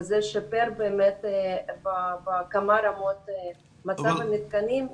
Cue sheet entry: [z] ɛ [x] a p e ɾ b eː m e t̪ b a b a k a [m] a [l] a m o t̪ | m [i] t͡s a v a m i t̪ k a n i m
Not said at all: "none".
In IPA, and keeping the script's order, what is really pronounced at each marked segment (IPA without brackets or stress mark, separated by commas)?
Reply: z, ʃ, m, ɾ, a